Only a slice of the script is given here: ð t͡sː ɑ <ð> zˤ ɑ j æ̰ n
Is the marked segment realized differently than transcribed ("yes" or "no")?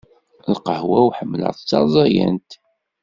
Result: yes